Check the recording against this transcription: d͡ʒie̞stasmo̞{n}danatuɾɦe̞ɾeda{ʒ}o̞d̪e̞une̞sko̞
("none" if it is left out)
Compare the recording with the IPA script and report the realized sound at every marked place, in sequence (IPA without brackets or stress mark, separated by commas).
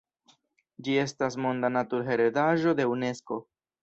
n, ʒ